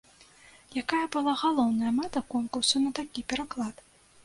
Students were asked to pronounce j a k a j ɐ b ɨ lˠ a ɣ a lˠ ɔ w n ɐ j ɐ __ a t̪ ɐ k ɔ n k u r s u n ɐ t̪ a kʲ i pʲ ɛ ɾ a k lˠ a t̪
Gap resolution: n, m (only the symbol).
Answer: m